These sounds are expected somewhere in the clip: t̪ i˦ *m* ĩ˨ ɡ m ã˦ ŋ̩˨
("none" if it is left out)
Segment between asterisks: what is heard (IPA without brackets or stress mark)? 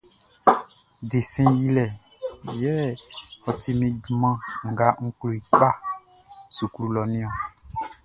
m